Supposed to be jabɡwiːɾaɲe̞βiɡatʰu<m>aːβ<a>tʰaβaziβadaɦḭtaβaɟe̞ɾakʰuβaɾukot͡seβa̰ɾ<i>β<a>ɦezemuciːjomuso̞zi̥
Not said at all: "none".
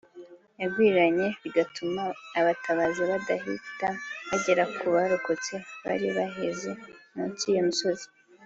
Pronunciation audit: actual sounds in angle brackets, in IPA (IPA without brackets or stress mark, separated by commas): m, a, i, a